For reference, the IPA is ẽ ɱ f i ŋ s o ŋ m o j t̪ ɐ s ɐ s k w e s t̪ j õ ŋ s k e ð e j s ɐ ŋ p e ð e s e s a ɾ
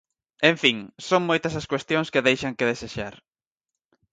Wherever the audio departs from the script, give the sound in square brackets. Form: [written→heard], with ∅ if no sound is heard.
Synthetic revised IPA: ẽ ɱ f i ŋ s o ŋ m o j t̪ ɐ s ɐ s k w e s t̪ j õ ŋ s k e ð e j [s→ʃ] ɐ ŋ [p→k] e ð e s e [s→ʃ] a ɾ